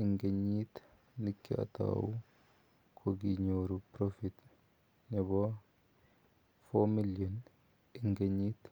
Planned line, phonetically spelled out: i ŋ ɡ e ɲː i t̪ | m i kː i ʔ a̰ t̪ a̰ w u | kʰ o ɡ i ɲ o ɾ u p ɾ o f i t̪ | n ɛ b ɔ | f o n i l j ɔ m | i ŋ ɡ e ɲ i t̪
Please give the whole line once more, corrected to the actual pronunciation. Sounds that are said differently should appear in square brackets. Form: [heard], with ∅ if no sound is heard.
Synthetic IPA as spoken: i ŋ ɡ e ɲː i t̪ | [n] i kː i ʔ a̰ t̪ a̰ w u | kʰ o ɡ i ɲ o ɾ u p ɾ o f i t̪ | n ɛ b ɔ | f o [m] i l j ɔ [n] | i ŋ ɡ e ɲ i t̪